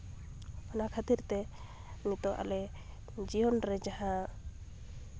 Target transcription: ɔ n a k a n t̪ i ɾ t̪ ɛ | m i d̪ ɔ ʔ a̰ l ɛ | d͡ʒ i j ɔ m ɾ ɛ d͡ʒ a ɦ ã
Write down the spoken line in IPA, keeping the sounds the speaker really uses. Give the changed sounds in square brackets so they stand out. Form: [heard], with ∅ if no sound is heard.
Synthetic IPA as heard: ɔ n a [kʰ] a [∅] t̪ i ɾ t̪ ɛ | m i [t̪] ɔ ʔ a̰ l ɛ | d͡ʒ i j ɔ [n] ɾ ɛ d͡ʒ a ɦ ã